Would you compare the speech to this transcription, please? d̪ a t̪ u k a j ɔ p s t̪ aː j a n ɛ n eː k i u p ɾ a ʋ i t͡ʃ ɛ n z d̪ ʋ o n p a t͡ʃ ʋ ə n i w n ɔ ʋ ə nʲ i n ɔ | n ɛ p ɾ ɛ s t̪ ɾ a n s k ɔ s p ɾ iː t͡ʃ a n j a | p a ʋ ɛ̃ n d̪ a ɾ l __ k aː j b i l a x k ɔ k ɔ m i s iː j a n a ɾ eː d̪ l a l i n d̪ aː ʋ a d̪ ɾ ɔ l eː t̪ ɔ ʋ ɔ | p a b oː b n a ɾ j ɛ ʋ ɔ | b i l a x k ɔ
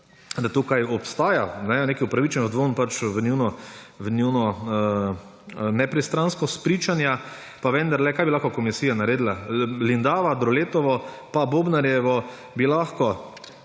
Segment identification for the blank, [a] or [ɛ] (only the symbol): ɛ